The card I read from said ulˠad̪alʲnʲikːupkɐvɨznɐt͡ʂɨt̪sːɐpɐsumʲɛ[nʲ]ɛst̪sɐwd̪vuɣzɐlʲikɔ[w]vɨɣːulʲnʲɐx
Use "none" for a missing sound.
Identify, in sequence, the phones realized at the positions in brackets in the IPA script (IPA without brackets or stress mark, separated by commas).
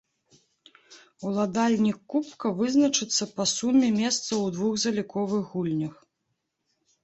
mʲ, none